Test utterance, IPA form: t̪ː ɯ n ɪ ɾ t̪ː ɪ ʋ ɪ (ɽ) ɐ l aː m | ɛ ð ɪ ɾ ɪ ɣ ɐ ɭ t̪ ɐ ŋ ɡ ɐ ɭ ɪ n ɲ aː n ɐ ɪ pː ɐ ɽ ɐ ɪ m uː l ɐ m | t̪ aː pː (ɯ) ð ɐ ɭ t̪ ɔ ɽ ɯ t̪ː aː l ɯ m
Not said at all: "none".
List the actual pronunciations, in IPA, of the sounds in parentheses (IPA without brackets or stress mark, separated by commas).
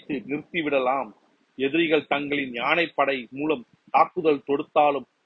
ɽ, ɯ